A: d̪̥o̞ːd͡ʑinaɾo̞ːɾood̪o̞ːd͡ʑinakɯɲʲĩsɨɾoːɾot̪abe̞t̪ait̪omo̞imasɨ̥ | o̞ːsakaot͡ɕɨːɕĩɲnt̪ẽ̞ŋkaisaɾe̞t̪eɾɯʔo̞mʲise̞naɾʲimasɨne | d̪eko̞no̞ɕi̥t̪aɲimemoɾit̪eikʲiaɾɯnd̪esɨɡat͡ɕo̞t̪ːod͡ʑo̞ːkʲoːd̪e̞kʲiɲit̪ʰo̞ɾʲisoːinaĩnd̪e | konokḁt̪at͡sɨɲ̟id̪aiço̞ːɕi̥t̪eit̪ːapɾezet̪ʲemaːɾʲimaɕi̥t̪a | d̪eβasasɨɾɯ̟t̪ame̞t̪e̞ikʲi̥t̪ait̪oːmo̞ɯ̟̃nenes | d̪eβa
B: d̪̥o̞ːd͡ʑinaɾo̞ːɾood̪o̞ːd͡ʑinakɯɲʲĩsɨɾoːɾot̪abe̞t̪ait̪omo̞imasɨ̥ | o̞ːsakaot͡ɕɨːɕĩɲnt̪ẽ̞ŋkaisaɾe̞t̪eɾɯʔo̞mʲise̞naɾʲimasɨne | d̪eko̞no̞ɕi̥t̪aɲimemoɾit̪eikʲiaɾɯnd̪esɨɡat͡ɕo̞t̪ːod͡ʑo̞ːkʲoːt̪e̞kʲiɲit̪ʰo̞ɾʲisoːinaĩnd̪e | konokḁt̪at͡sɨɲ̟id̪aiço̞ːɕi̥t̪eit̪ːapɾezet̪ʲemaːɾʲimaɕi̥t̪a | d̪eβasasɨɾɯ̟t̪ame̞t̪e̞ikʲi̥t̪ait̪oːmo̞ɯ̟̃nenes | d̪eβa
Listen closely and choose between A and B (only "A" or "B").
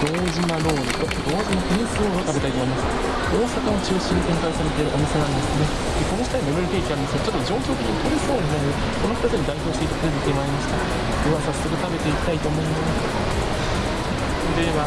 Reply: B